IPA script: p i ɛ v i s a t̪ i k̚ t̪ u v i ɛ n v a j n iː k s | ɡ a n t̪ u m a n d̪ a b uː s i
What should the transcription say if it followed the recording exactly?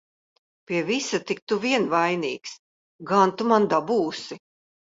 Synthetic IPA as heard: p i ɛ v i s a t̪ i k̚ t̪ u v i ɛ n v a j n iː k s | ɡ a n t̪ u m a n d̪ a b uː s i